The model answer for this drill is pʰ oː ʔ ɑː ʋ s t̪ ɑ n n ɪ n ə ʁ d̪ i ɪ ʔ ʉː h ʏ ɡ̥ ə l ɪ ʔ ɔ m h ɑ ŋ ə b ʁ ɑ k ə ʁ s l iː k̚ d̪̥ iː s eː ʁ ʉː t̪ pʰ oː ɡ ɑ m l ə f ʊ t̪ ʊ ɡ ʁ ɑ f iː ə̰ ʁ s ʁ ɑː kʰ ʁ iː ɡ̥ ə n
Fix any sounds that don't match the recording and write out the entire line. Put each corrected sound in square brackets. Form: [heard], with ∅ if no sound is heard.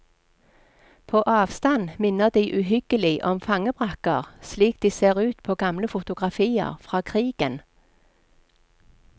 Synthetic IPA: pʰ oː ʔ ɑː ʋ s t̪ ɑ n [m] ɪ n ə ʁ d̪ i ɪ ʔ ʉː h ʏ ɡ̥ ə l ɪ ʔ ɔ m [f] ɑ ŋ ə b ʁ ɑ k ə ʁ s l iː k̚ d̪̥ iː s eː ʁ ʉː t̪ pʰ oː ɡ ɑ m l ə f ʊ t̪ ʊ ɡ ʁ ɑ f iː ə̰ ʁ [f] ʁ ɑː kʰ ʁ iː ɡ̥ ə n